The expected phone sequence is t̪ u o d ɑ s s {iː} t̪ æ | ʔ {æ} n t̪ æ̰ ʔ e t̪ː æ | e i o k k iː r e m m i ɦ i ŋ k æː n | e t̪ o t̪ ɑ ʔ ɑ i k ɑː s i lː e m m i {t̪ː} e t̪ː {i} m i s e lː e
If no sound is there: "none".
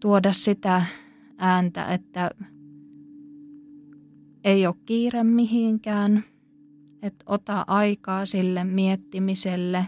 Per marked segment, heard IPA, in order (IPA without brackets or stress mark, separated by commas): i, æː, none, i